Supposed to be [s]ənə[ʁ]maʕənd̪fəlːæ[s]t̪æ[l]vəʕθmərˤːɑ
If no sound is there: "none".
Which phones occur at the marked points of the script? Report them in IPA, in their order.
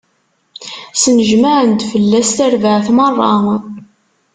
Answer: s, ʒ, s, ɾ

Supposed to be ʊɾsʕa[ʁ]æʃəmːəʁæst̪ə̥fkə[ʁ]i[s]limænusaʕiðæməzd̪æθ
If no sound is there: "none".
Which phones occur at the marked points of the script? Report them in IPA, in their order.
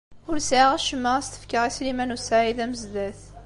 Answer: ʁ, ʁ, s

